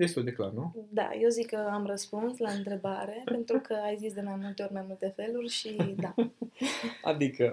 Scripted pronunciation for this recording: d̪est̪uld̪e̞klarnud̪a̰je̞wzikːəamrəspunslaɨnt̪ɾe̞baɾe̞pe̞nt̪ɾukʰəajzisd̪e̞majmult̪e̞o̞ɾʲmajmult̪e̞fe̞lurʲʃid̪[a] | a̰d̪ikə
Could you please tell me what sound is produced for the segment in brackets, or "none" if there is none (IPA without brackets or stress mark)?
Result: a